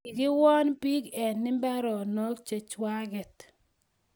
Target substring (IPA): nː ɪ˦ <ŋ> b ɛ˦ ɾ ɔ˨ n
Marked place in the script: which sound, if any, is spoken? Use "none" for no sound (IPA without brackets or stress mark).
m